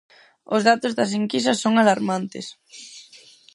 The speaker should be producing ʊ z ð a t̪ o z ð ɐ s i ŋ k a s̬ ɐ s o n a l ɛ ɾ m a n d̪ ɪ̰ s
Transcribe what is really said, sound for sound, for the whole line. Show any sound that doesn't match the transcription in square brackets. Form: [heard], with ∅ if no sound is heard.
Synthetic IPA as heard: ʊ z ð a t̪ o z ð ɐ s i ŋ k [i] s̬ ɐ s o [ŋ] a l [a] ɾ m a n [t̪] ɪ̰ s